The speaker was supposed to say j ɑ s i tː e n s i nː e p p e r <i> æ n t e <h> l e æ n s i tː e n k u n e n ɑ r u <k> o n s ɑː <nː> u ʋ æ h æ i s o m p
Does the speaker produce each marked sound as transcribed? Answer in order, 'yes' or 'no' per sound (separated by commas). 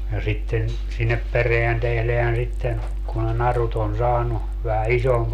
no, yes, no, no